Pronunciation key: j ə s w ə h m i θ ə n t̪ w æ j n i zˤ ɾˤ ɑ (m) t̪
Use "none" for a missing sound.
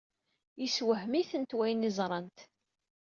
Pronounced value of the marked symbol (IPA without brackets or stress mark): n